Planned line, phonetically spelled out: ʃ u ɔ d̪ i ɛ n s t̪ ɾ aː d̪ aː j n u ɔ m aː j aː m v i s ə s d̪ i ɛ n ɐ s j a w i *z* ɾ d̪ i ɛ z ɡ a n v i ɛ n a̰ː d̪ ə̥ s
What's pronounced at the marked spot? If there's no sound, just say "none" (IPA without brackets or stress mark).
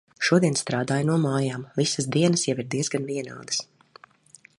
none